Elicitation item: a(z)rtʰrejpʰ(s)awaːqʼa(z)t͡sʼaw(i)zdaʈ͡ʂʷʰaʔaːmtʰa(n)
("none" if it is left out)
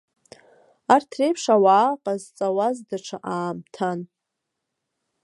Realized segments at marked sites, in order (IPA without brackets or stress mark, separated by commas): none, ʂ, z, a, n